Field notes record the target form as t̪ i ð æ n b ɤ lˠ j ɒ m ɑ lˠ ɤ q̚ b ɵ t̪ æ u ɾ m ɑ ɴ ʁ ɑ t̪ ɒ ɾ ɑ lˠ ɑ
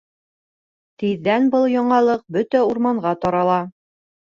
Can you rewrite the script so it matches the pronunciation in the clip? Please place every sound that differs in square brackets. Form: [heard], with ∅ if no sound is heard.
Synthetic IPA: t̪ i [ðː] æ n b ɤ lˠ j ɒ [ɴ] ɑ lˠ ɤ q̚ b ɵ t̪ æ u ɾ m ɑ ɴ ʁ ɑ t̪ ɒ ɾ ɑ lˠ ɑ